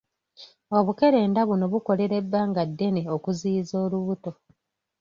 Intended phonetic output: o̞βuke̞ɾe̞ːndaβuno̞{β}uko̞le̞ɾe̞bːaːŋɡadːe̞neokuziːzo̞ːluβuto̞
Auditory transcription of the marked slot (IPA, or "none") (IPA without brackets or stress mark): β